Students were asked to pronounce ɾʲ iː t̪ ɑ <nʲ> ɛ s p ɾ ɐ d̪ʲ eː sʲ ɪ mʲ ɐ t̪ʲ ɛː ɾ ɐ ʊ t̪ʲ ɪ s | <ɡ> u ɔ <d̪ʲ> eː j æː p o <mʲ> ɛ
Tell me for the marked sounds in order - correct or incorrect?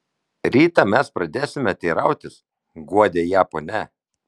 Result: incorrect, correct, correct, incorrect

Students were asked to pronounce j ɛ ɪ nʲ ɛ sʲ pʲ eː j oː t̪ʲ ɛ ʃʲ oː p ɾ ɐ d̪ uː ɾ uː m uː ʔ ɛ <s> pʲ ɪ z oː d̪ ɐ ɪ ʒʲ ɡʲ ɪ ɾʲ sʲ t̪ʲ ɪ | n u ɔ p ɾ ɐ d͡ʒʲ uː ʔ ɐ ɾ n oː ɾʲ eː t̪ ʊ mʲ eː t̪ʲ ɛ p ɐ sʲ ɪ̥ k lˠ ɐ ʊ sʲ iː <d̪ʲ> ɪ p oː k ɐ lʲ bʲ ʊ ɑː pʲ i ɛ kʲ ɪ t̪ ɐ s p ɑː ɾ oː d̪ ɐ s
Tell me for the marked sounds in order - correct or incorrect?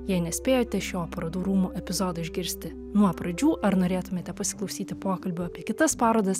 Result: incorrect, incorrect

